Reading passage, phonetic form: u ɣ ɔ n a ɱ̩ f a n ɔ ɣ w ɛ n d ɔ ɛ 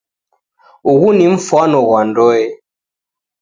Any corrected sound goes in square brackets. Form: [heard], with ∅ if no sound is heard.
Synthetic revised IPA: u ɣ [u] n [i] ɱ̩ f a n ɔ ɣ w [a] n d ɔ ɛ